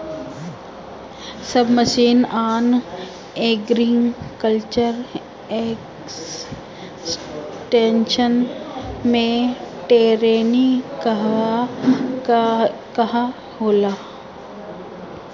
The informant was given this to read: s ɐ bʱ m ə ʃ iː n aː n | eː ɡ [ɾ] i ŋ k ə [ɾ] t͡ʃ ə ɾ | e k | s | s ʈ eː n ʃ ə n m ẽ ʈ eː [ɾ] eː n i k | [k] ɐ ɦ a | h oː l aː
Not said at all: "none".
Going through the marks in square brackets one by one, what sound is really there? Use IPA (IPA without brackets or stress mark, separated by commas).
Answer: ɾ, l, ɾ, k